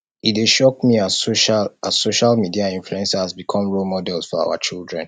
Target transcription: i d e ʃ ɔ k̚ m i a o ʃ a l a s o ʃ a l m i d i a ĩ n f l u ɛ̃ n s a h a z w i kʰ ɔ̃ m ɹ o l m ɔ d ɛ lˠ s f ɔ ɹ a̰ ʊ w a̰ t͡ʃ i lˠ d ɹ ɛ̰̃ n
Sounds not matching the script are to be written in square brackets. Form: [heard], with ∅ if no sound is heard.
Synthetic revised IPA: i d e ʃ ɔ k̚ m i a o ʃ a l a s o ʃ a l m i d i a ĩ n f l u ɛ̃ n s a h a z [b] i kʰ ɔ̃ m ɹ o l m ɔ d ɛ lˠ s f ɔ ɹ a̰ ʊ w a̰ t͡ʃ i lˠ d ɹ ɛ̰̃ n